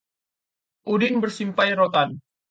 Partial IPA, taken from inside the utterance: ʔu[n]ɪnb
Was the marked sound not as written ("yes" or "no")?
yes